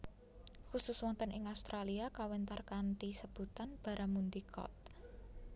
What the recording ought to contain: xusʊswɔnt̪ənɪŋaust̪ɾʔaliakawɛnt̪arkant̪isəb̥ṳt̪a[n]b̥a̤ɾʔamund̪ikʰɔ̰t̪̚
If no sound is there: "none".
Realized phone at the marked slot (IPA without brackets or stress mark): n